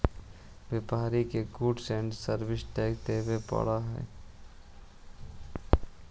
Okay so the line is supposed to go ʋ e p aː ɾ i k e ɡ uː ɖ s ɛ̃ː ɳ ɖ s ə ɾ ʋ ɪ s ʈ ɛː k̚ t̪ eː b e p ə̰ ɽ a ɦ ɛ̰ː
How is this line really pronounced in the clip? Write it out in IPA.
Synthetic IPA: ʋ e p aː ɾ i k e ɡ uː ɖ s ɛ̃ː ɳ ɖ s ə ɾ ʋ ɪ s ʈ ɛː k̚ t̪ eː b e p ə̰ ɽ a ɦ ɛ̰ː